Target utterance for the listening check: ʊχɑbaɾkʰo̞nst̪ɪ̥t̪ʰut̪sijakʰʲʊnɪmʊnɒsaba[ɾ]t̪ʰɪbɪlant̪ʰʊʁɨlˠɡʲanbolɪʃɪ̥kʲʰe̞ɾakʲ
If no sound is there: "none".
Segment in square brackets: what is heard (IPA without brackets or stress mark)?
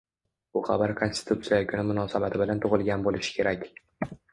none